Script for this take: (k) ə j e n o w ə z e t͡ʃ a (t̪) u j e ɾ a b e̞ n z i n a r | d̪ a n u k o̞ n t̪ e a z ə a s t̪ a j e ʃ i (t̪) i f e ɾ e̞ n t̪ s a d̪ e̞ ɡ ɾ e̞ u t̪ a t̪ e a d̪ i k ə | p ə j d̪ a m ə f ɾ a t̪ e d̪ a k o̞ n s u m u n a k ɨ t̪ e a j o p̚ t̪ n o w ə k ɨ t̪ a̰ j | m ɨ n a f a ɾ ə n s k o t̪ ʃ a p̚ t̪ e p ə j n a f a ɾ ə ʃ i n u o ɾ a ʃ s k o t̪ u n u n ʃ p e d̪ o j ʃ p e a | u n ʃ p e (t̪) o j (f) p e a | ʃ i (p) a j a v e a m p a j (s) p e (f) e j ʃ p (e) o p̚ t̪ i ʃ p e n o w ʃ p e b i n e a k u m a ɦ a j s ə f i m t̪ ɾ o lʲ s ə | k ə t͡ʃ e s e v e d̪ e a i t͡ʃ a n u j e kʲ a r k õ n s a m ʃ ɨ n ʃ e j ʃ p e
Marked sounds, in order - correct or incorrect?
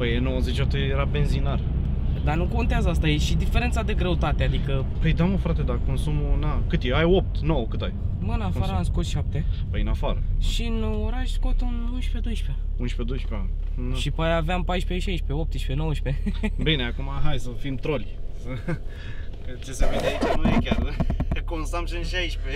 incorrect: p, correct, incorrect: d̪, incorrect: d̪, incorrect: ʃ, correct, incorrect: ʃ, incorrect: ʃ, correct

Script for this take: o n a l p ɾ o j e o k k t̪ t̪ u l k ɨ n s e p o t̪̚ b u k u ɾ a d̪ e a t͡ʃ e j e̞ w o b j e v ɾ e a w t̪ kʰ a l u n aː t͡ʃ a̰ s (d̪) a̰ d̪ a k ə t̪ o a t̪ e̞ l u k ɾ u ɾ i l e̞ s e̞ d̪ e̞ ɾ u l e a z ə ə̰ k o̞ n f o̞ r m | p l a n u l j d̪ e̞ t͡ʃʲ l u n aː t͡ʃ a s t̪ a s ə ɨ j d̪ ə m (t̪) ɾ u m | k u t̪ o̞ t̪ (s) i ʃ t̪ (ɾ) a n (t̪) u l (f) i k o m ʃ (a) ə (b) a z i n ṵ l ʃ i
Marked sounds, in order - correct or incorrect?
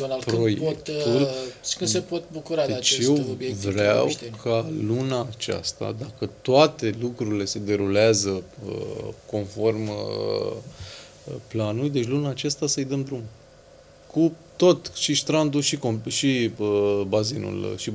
incorrect: t̪, incorrect: d̪, incorrect: ʃ, correct, incorrect: d̪, incorrect: ʃ, incorrect: i, correct

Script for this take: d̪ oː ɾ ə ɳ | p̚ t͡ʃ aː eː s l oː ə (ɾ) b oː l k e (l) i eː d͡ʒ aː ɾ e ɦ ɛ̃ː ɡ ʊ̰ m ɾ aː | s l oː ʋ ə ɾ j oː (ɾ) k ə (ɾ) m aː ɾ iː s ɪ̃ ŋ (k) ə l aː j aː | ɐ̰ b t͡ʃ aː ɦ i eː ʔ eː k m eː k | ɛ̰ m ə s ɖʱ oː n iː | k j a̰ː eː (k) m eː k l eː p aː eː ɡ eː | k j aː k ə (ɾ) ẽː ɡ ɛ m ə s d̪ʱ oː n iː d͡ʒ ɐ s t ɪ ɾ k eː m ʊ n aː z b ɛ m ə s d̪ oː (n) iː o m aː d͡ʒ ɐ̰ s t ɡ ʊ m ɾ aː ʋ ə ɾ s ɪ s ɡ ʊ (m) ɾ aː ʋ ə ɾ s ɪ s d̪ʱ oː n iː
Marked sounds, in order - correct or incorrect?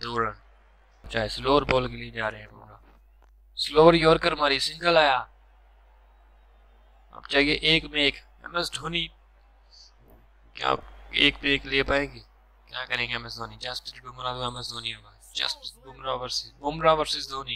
correct, correct, correct, correct, incorrect: ɡ, correct, correct, correct, correct

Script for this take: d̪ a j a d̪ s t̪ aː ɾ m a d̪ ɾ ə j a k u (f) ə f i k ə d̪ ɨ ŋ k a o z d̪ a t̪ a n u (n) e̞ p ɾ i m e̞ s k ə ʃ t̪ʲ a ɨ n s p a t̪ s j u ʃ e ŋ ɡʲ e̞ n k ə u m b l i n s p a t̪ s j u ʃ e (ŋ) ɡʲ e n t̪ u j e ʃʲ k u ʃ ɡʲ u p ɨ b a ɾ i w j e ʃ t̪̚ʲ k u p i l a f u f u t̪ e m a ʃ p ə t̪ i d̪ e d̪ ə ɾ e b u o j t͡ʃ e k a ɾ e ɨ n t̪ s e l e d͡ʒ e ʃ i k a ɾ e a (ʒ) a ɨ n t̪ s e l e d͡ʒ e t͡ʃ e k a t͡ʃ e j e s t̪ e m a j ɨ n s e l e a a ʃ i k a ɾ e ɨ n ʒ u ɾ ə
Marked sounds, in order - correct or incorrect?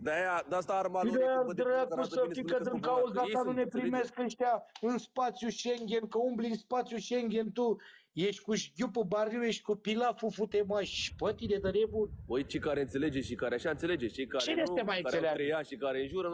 incorrect: s, correct, correct, incorrect: ʃ

